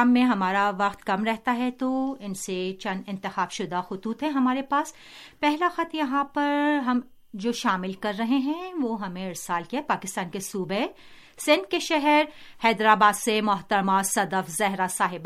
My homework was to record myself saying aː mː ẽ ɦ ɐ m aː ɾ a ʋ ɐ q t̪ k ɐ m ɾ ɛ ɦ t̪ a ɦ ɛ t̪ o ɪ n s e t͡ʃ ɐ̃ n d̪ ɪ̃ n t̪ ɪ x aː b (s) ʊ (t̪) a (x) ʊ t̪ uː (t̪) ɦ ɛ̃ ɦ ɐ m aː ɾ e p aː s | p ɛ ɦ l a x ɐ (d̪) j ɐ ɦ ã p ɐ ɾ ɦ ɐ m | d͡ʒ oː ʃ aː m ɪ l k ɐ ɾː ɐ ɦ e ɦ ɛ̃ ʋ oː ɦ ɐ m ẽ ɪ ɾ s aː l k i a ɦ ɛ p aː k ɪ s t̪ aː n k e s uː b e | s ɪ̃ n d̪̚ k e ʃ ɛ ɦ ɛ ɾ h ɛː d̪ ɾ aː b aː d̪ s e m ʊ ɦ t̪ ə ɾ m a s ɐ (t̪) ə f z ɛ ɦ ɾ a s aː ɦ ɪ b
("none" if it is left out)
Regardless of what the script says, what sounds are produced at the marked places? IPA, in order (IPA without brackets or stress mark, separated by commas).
ʃ, d̪, x, t̪, t̪, d̪